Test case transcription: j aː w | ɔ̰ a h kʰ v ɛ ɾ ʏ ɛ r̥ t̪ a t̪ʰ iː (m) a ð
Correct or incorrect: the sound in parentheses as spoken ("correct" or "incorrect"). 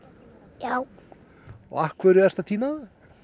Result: incorrect